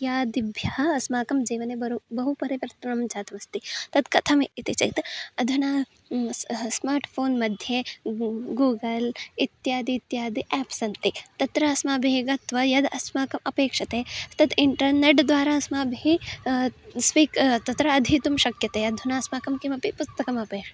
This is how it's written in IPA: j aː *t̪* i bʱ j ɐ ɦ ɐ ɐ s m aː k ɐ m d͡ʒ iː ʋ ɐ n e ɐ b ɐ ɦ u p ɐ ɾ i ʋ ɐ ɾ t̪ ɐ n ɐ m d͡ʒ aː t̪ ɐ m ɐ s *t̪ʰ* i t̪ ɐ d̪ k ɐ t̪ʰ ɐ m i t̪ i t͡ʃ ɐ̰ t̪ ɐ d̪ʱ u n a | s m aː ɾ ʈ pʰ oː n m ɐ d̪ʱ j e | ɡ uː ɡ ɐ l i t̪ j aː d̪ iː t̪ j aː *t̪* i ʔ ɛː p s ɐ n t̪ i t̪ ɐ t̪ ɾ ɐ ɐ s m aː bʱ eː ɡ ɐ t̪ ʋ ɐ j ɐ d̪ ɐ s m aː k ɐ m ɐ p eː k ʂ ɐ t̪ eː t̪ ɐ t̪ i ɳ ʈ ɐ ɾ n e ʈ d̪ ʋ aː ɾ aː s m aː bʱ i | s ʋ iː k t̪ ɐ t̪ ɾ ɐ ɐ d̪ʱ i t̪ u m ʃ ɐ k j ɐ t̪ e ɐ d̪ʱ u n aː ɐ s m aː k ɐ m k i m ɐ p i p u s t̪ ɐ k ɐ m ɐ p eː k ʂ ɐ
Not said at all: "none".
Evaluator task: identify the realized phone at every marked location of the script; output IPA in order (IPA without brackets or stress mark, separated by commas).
d̪, t̪, d̪